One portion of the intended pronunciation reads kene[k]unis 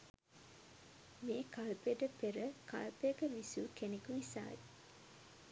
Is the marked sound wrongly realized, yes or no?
no